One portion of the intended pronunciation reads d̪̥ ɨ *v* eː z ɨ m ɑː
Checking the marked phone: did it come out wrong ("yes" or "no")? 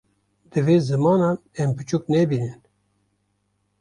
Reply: no